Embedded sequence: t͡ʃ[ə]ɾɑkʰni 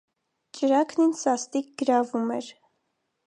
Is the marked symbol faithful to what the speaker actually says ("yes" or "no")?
yes